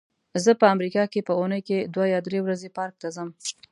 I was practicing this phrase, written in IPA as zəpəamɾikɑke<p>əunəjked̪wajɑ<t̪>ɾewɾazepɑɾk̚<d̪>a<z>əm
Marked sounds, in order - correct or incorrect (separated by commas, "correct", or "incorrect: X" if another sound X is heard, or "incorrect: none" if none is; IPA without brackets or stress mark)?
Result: correct, incorrect: d̪, incorrect: t̪, correct